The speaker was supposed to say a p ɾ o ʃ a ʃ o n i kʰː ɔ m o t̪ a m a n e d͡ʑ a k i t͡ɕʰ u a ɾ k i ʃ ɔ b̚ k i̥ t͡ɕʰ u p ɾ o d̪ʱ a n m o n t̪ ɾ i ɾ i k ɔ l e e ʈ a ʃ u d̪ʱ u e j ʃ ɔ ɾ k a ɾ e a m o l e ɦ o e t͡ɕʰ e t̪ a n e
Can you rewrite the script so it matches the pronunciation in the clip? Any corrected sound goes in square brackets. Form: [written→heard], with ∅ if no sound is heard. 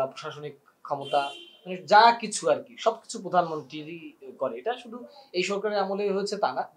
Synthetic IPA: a p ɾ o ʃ a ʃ o n i kʰː ɔ m o t̪ a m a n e d͡ʑ a k i t͡ɕʰ u a ɾ k i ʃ ɔ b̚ k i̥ t͡ɕʰ u p ɾ o d̪ʱ a n m o n t̪ ɾ i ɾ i k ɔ [l→ɾ] e e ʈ a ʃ u d̪ʱ u e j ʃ ɔ ɾ k a ɾ e a m o l e ɦ o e t͡ɕʰ e t̪ a n [e→a]

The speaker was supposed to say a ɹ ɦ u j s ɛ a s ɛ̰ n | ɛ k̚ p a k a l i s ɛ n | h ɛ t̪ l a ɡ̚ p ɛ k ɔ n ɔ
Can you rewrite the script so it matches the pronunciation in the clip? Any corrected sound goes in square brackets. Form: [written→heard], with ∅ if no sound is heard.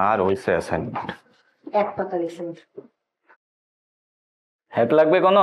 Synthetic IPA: a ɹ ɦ [u→o] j s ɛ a s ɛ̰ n | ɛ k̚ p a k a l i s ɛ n | h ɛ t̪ l a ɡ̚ [p→b] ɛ k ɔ n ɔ

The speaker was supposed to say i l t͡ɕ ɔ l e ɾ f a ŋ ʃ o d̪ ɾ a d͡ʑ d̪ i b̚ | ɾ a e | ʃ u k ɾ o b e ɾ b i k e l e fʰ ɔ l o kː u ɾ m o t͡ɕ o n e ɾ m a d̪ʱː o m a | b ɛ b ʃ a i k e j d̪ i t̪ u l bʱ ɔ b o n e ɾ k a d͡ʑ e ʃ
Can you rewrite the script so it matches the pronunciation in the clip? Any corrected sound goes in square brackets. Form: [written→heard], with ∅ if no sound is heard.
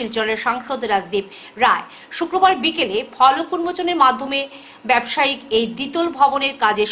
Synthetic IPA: i l t͡ɕ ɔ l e ɾ [f→ʃ] a ŋ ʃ o d̪ ɾ a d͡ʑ d̪ i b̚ | ɾ a e | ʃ u k ɾ o b [e→a] ɾ b i k e l e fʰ ɔ l o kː u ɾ m o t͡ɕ o n e ɾ m a d̪ʱː o m [a→e] | b ɛ b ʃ a i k e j d̪ i t̪ [u→o] l bʱ ɔ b o n e ɾ k a d͡ʑ e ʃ

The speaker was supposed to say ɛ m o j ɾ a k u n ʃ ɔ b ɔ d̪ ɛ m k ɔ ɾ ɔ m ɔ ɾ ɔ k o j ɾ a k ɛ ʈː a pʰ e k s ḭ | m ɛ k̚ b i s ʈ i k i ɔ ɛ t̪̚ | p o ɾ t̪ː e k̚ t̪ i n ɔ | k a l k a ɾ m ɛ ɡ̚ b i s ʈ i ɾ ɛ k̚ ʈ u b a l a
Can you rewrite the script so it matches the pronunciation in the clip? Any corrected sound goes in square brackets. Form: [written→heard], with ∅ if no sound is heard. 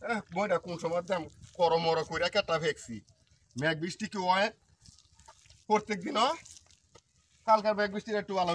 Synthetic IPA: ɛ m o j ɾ a k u n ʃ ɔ [b→m] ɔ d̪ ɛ m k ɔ ɾ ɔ m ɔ ɾ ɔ k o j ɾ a k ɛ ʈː a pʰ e k s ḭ | m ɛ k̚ b i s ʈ i k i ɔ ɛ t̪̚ | p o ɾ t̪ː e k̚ [t̪→d̪] i n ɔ | k a l k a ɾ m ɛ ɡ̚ b i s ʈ i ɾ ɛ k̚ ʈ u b a l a

